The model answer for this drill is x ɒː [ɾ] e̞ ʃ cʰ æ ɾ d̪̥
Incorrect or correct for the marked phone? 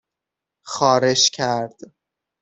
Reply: correct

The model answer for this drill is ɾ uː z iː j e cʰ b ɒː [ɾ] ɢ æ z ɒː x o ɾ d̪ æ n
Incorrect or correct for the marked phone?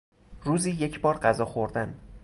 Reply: correct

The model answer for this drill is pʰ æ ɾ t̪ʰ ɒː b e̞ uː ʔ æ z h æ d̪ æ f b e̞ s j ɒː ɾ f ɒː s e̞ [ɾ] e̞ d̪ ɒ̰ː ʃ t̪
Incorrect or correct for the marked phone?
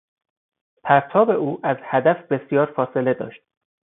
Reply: incorrect: l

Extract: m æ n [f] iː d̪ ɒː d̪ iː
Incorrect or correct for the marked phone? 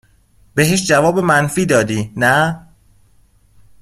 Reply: correct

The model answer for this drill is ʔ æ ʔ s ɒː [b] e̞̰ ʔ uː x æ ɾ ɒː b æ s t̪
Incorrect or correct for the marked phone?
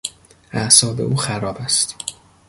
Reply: correct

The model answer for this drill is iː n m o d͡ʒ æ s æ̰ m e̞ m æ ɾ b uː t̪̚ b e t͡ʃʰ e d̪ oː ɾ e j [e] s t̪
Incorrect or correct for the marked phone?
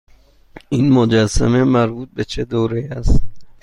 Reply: incorrect: æ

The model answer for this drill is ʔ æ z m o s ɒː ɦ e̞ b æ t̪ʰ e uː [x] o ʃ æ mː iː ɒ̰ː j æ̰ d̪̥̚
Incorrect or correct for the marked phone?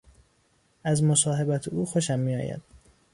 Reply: correct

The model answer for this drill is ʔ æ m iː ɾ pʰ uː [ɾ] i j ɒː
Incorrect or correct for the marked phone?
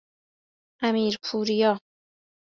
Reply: correct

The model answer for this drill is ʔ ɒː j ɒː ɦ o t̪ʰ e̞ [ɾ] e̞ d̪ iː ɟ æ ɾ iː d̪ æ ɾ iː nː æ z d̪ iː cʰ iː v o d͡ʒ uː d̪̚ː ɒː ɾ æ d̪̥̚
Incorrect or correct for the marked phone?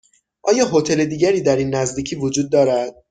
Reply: incorrect: l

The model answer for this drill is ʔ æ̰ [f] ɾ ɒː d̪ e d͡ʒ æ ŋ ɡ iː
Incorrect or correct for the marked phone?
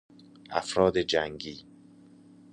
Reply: correct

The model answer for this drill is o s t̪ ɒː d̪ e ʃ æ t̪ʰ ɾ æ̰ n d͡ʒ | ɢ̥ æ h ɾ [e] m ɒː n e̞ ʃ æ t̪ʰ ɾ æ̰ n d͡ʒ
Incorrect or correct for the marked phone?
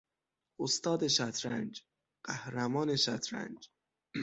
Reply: incorrect: æ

